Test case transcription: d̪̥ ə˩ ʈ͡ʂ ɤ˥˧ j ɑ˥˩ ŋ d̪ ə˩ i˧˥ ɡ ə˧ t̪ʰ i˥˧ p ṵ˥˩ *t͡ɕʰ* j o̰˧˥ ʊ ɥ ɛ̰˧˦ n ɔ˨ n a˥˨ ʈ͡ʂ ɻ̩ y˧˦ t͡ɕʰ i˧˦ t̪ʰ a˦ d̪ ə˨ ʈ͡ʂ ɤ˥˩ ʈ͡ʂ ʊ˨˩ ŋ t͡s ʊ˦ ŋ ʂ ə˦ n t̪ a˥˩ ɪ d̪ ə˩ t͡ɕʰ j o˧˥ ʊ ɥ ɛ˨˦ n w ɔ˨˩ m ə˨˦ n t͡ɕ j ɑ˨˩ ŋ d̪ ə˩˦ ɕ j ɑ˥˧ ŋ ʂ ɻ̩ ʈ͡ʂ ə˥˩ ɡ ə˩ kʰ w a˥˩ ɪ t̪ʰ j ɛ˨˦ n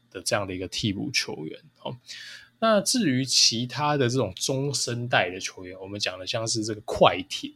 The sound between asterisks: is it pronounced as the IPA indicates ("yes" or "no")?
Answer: yes